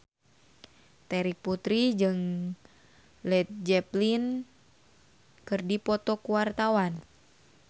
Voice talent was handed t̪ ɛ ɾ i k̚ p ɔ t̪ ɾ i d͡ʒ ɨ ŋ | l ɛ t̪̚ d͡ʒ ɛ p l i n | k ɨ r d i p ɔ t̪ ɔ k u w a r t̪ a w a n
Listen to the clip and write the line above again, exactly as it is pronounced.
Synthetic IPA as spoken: t̪ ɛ ɾ i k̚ p u t̪ ɾ i d͡ʒ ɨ ŋ | l ɛ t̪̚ d͡ʒ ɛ p l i n | k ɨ r d i p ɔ t̪ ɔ k u w a r t̪ a w a n